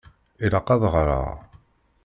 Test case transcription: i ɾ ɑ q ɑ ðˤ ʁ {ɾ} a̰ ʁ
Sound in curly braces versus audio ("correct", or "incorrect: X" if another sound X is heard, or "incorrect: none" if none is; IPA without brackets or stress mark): correct